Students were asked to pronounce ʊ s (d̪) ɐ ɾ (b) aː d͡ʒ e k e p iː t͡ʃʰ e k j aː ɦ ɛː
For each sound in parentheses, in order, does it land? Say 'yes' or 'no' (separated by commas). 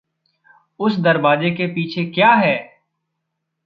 yes, yes